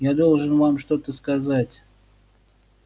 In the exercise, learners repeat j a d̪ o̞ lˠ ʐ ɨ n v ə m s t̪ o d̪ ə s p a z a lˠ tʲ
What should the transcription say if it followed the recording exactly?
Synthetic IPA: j a d̪ o̞ lˠ ʐ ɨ n v a m ʂ t̪ o t̪ ə s k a z a tʲ